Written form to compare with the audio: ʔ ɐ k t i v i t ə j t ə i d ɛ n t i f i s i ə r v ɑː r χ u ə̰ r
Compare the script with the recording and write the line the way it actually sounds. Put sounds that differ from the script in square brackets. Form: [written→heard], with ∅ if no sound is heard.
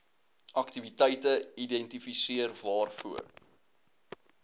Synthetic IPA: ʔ ɐ k t i v i t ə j t ə i d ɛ n t i f i s i ə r v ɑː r [χ→f] u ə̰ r